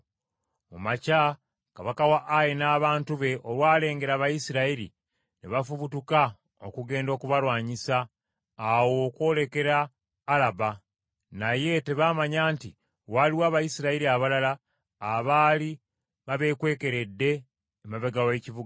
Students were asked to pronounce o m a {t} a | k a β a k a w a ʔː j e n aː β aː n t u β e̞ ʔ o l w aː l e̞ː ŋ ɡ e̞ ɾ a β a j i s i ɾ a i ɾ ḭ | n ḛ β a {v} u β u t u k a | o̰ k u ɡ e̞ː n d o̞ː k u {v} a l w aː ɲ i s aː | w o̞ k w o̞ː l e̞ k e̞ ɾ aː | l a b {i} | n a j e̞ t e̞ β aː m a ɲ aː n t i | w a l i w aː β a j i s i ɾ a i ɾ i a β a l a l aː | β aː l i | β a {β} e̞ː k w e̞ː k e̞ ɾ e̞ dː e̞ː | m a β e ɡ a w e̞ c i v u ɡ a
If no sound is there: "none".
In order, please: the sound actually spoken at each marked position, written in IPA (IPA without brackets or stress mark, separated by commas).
c, f, β, a, β